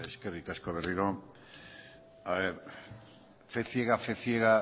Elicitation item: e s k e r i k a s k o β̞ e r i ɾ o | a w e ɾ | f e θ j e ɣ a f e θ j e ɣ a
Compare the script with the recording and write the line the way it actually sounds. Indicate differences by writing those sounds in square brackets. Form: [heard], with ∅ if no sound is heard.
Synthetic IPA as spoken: e s k e r i k a s k o β̞ e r i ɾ o | a [β] e ɾ | f e θ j e ɣ a f e θ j e ɣ a